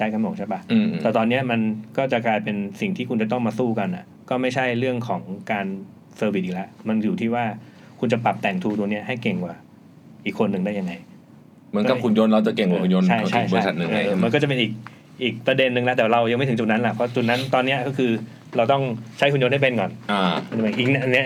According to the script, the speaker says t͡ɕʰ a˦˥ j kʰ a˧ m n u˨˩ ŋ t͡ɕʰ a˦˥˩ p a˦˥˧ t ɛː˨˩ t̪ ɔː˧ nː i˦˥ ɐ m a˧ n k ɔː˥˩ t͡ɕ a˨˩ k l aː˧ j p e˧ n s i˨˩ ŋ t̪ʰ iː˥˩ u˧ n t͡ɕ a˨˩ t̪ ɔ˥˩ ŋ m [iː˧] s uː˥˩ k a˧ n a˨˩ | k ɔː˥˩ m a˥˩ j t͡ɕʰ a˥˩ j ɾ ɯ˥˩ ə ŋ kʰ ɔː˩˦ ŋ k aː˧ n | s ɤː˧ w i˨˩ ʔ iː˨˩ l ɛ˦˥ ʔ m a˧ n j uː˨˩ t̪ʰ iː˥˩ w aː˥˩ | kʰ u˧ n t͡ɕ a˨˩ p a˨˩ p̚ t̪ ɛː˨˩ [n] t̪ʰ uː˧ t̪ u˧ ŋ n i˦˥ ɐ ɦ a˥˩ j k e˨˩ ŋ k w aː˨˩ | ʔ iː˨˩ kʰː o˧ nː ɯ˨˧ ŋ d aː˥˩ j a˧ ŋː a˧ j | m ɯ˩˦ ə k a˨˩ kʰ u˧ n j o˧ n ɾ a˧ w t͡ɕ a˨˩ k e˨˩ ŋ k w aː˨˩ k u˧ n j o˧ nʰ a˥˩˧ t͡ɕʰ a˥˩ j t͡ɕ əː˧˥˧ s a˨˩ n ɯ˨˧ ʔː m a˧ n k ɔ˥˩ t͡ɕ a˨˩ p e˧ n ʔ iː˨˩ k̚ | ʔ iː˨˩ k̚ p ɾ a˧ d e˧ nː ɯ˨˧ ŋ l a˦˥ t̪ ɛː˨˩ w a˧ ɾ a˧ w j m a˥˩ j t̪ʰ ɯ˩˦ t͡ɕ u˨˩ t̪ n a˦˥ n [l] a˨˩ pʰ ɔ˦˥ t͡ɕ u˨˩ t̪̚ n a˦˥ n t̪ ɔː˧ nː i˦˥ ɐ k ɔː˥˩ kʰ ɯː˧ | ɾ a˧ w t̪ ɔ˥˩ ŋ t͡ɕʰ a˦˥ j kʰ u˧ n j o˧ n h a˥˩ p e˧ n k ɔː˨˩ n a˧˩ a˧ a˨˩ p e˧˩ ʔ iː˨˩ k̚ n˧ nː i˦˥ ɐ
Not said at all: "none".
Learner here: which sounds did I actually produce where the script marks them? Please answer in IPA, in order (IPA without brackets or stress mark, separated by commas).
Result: aː˧, ŋ, l